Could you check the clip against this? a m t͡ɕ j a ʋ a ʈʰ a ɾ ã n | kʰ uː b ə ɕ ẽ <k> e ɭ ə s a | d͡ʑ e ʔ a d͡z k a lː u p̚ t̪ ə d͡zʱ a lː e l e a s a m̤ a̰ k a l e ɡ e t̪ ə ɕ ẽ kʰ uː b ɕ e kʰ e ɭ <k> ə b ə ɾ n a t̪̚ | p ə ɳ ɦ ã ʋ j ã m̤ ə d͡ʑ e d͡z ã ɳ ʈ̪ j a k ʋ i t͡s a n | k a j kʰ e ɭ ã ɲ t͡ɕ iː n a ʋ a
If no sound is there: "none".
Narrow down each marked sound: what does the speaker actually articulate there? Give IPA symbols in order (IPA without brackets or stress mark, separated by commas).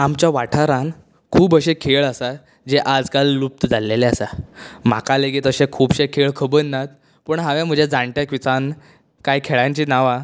kʰ, kʰ